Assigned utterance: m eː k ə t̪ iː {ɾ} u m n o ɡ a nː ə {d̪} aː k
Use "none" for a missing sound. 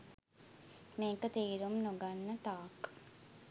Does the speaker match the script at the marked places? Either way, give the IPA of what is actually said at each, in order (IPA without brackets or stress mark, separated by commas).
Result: ɾ, t̪